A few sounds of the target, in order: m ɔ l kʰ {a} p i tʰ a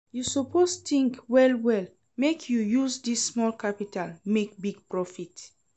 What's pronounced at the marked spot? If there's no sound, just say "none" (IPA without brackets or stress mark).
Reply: a